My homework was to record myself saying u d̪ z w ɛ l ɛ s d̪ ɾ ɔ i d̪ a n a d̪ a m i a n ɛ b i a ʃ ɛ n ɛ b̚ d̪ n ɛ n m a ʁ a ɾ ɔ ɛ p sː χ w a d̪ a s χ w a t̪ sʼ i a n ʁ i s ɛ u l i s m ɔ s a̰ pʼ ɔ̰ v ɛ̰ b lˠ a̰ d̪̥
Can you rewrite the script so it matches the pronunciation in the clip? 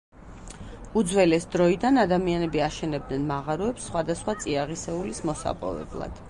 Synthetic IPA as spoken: u d̪ z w ɛ l ɛ s d̪ ɾ ɔ i d̪ a n a d̪ a m i a n ɛ b i a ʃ ɛ n ɛ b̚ d̪ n ɛ n m a ʁ a ɾ ɔ ɛ p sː χ w a d̪ a s χ w a t̪ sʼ i a ʁ i s ɛ u l i s m ɔ s a̰ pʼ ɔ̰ v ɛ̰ b lˠ a̰ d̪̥